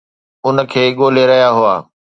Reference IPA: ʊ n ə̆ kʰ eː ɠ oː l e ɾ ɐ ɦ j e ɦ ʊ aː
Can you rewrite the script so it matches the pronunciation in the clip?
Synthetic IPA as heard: ʊ n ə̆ kʰ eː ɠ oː l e ɾ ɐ ɦ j a ɦ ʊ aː